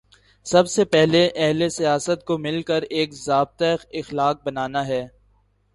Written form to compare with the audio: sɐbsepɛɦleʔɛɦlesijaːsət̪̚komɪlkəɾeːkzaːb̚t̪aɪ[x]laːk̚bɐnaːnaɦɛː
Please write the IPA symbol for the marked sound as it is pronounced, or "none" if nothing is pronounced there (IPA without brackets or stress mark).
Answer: x